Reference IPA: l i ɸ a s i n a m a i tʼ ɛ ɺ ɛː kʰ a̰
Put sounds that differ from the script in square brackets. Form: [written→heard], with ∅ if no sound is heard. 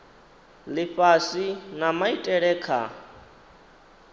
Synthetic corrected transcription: l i ɸ a s i n a m a i tʼ ɛ ɺ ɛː kʰ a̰